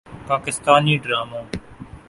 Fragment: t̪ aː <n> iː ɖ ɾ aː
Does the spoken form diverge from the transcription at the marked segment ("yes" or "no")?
no